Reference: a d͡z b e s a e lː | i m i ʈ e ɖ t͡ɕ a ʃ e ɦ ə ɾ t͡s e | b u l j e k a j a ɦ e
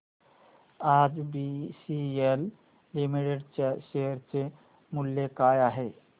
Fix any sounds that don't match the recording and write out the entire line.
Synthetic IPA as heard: a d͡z b i s i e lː | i m i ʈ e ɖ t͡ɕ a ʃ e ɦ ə ɾ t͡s e | m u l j e k a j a ɦ e